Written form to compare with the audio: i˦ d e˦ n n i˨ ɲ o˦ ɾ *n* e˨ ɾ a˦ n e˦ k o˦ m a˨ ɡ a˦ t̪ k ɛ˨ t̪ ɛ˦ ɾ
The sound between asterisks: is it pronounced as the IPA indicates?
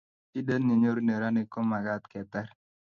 yes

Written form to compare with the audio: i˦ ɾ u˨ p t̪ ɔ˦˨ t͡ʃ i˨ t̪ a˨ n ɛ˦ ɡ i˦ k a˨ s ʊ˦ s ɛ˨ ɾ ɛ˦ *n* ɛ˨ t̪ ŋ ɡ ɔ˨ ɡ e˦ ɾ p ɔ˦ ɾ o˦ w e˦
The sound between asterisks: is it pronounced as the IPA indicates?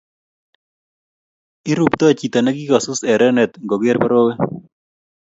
yes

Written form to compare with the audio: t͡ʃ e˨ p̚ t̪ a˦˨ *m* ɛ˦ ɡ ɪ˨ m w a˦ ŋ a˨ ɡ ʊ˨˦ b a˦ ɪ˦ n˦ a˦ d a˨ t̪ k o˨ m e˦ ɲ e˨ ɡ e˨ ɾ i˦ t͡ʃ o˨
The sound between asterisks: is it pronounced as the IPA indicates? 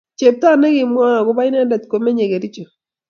no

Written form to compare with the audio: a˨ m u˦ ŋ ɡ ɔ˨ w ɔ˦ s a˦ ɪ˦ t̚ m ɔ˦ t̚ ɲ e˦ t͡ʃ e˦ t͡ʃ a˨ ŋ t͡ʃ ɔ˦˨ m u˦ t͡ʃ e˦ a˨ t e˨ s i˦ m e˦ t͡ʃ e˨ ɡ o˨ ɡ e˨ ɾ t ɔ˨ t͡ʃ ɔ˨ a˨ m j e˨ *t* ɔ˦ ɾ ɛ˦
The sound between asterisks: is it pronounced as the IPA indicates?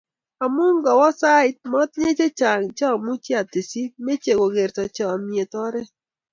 yes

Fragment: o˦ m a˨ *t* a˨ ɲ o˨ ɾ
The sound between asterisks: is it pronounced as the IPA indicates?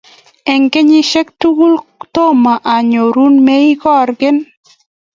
no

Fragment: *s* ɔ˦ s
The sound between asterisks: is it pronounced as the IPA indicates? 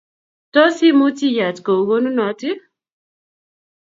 no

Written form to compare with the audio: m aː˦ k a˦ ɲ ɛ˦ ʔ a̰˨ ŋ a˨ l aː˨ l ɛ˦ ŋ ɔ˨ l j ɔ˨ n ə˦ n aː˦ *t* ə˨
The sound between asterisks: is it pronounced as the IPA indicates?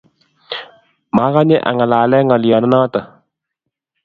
yes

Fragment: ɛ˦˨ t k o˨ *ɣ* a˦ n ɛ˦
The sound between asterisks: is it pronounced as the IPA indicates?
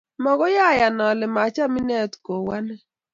no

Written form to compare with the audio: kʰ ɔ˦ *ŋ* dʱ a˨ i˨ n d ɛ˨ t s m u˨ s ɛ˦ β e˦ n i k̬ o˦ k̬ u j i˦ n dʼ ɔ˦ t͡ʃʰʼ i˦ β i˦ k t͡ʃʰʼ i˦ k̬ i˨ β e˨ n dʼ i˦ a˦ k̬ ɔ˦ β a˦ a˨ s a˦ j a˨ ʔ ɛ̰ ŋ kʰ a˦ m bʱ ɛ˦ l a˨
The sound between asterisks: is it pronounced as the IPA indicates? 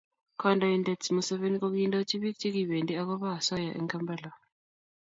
no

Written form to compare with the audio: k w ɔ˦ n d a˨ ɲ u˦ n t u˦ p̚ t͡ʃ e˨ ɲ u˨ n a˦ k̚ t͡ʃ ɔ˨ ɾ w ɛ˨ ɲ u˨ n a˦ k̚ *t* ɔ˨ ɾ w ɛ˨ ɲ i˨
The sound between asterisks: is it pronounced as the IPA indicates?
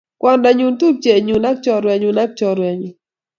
no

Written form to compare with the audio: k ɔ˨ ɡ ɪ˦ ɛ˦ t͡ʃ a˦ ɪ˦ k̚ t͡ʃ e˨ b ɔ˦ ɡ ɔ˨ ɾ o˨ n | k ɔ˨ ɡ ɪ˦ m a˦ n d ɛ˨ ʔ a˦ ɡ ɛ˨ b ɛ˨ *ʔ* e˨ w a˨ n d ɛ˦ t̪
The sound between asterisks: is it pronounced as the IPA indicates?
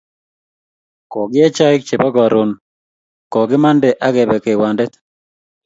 no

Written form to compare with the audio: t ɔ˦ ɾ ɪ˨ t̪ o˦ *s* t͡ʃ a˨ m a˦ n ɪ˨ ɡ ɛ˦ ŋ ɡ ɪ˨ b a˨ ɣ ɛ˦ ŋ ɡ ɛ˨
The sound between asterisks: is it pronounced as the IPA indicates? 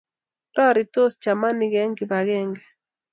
yes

